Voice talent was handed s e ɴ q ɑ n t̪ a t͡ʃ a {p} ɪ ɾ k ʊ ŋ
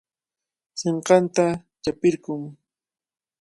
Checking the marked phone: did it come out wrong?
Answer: no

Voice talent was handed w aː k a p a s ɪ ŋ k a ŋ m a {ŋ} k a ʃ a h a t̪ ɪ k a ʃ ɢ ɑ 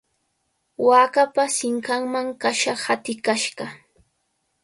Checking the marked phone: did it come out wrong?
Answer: no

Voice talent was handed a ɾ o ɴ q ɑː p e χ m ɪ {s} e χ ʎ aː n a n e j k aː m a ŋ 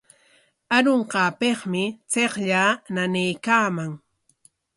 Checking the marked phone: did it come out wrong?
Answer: yes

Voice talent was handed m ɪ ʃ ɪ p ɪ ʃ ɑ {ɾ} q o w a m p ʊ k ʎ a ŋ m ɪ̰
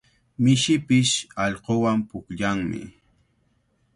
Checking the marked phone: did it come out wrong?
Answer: yes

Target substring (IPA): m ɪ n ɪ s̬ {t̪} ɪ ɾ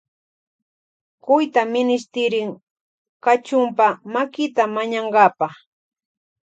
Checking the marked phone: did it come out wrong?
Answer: no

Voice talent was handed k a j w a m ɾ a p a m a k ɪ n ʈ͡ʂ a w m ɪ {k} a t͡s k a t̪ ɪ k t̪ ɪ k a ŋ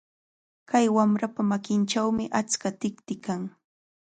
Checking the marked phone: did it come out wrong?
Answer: yes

